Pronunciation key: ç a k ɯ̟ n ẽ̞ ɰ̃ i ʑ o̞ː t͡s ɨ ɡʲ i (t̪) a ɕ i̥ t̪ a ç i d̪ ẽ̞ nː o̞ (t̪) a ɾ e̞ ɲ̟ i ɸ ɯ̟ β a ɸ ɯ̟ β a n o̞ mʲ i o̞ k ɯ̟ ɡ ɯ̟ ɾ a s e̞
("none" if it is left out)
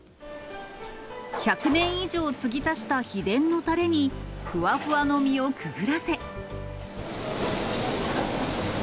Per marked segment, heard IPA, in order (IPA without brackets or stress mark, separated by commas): t̪, t̪